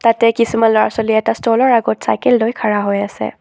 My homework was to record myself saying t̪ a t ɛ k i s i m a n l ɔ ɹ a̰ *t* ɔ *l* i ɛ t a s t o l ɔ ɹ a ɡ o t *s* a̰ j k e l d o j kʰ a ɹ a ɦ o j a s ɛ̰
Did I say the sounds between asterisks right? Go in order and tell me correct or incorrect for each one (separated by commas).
incorrect, correct, correct